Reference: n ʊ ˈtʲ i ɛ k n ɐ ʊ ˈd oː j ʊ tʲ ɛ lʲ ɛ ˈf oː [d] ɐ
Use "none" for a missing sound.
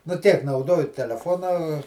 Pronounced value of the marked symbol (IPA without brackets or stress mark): n